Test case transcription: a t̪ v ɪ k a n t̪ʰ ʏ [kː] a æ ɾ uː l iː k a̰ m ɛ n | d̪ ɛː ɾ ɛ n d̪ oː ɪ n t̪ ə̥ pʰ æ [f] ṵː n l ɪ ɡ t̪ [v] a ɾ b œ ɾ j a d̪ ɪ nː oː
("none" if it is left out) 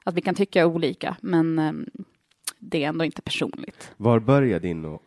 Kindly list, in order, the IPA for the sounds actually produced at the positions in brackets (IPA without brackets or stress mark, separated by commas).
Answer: kː, ʂ, v